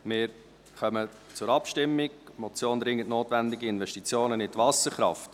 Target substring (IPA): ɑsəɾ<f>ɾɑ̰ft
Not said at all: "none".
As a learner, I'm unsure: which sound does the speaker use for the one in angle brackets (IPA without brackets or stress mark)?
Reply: χ